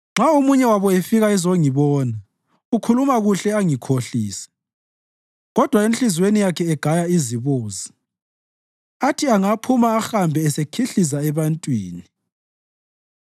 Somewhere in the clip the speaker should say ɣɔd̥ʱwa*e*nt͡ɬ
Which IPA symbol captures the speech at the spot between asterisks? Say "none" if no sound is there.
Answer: e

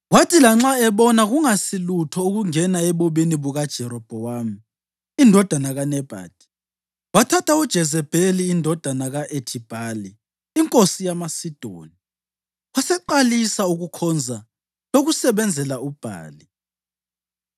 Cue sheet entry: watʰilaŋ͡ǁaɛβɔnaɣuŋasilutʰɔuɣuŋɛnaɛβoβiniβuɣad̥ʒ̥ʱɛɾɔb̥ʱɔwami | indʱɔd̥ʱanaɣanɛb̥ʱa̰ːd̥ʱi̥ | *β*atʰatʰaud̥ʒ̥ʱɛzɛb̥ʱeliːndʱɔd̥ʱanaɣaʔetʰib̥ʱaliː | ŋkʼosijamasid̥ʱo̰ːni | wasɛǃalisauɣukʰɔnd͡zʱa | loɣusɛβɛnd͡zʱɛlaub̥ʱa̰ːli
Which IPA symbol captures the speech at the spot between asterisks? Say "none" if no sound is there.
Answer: w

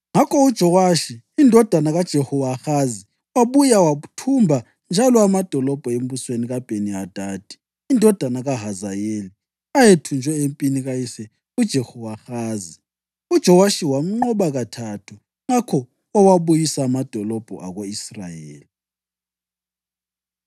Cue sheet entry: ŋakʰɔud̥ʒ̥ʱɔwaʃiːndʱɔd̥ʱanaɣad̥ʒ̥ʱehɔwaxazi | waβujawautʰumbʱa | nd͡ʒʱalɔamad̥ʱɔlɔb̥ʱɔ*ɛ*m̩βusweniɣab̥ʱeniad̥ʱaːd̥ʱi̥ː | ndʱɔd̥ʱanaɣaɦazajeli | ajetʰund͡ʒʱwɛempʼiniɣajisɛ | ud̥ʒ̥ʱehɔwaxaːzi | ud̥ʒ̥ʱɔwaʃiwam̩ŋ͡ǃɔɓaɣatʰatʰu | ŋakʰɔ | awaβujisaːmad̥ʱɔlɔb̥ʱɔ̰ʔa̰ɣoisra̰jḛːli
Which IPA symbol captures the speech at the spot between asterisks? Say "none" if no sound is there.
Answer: e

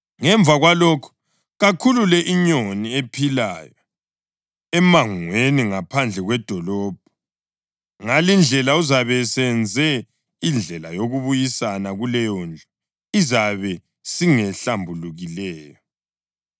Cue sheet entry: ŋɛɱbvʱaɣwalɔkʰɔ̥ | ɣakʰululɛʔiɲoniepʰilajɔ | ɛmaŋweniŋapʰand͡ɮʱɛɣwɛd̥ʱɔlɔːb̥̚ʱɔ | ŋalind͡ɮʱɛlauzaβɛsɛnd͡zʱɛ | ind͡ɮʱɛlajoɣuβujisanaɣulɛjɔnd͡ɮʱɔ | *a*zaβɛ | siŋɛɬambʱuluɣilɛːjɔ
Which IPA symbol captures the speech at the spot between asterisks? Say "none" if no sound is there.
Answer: i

